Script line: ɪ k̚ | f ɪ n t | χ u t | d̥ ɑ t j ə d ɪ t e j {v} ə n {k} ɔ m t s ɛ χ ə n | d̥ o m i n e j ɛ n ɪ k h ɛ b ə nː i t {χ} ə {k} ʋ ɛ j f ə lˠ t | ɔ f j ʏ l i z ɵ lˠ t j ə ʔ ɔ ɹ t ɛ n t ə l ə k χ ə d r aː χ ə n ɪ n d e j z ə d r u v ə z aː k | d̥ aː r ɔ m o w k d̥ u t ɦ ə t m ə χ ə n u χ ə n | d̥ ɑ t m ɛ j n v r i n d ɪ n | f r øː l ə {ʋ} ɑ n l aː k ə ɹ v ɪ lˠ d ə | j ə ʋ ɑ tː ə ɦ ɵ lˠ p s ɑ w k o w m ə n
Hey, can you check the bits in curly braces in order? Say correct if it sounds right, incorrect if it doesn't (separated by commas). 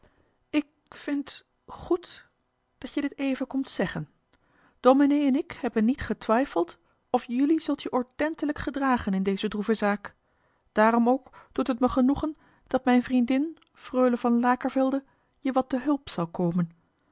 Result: correct, correct, correct, incorrect, incorrect